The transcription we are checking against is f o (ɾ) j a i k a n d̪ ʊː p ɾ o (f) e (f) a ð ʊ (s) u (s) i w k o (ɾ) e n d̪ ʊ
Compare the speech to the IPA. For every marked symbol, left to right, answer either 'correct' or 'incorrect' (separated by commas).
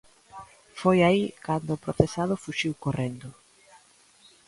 incorrect, incorrect, incorrect, incorrect, incorrect, incorrect